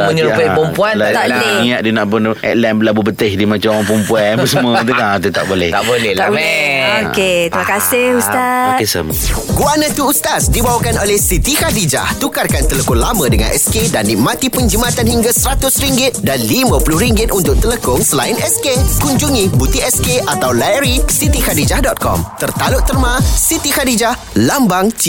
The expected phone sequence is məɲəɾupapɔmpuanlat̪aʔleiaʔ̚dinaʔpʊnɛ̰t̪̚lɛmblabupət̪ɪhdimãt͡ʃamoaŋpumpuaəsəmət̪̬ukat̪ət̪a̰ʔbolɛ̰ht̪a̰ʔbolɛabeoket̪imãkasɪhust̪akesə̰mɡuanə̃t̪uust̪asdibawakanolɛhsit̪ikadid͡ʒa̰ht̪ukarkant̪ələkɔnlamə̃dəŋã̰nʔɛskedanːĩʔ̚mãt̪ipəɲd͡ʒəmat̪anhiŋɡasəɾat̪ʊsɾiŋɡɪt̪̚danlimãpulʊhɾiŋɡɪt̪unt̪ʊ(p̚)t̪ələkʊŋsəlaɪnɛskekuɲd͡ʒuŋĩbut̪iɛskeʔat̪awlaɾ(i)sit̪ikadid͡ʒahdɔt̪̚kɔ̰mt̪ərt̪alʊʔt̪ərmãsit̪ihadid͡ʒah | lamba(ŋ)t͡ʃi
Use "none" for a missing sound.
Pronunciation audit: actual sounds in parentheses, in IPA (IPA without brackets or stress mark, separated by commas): k̚, i, ŋ